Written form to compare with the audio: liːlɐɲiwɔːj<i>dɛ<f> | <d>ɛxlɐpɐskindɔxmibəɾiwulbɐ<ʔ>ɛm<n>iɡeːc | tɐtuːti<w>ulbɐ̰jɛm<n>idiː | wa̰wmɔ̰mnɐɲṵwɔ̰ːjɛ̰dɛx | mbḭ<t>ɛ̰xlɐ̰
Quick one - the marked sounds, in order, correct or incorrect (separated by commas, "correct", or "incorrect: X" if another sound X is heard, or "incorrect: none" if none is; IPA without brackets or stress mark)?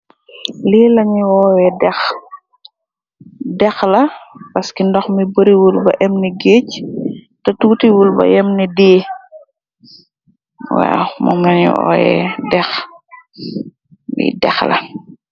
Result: incorrect: ɛ, incorrect: x, correct, correct, correct, correct, correct, incorrect: d